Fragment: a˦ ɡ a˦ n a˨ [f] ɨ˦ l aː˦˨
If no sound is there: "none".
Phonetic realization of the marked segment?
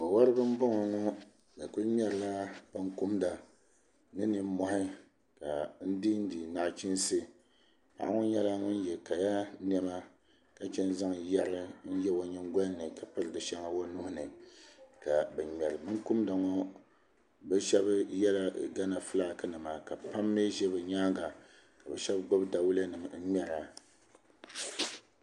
f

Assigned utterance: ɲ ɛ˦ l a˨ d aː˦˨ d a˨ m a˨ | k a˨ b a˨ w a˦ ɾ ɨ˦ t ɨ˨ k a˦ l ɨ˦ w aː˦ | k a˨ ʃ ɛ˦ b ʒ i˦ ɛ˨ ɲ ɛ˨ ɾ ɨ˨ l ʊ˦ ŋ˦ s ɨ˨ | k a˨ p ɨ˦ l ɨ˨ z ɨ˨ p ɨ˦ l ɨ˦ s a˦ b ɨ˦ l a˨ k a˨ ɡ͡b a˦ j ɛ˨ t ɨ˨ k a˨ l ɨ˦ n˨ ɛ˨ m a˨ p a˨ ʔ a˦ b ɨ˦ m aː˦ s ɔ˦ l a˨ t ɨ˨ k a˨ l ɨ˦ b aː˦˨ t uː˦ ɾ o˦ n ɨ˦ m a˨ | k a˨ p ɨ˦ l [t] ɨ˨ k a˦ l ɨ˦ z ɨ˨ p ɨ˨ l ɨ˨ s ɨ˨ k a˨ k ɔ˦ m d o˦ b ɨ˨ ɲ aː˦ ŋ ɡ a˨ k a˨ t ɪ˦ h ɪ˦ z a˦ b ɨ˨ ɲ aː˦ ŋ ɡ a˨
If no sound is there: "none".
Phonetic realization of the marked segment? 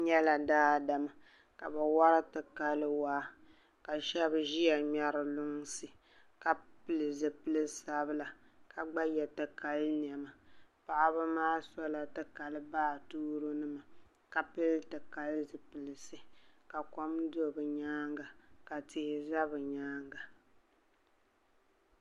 t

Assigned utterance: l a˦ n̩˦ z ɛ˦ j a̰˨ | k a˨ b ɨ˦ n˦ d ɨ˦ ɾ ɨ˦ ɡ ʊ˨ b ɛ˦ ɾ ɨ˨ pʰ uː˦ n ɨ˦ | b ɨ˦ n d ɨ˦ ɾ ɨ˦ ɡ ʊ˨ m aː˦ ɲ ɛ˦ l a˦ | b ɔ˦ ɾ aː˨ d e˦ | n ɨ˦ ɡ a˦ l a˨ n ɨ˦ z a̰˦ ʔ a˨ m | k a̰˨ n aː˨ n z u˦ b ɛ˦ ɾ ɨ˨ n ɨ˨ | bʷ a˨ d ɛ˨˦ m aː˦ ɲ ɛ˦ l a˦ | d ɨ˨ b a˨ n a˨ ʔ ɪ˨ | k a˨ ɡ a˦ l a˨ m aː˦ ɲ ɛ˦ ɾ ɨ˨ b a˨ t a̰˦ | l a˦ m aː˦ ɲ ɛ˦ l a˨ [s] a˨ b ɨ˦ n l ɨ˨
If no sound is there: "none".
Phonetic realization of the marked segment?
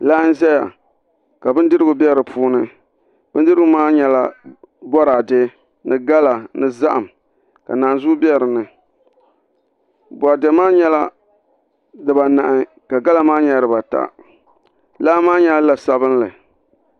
s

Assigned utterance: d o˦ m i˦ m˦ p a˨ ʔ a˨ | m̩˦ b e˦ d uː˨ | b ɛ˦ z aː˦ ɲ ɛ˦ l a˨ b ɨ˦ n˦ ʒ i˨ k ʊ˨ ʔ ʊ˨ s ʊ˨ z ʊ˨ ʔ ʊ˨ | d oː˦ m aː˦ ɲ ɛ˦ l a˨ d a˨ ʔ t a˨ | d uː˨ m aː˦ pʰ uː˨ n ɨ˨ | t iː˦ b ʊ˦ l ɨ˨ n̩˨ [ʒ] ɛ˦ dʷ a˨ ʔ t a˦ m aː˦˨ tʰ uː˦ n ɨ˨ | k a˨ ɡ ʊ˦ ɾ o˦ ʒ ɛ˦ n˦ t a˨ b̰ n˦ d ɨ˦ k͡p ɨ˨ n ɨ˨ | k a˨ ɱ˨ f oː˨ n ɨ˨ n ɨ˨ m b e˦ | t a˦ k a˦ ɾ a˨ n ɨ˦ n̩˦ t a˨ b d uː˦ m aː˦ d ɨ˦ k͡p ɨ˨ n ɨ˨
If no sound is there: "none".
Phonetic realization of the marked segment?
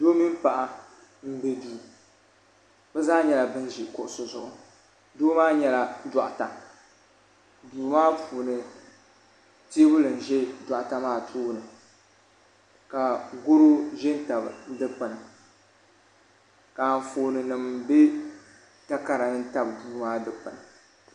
ʒ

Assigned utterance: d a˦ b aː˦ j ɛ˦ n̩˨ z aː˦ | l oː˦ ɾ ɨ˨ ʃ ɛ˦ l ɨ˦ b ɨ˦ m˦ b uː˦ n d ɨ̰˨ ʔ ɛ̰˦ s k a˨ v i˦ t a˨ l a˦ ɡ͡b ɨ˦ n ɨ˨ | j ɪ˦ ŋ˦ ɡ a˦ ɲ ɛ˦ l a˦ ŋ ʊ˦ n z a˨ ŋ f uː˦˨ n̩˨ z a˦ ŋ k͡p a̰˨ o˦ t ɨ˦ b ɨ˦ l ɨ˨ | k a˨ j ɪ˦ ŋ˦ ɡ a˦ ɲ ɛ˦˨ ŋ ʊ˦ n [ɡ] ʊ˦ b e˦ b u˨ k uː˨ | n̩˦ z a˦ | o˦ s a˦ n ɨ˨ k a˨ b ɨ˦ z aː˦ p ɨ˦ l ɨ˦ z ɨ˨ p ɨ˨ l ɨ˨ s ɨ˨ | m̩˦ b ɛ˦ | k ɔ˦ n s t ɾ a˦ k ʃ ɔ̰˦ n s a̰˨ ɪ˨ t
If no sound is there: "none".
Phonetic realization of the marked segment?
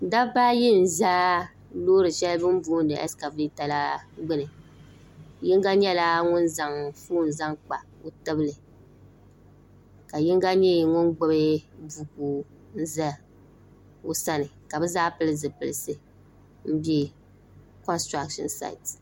ɡ͡b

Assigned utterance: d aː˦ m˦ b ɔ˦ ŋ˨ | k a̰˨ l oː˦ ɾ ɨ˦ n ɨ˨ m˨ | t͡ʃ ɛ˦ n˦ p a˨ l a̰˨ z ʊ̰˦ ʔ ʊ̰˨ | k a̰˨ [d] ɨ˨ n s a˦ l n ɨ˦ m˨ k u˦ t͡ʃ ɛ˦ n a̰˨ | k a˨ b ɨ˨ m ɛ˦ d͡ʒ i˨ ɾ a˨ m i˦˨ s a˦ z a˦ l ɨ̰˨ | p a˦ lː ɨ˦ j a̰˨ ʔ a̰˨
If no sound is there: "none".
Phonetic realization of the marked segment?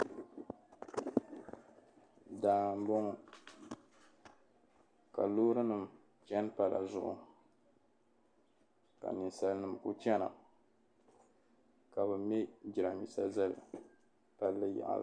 n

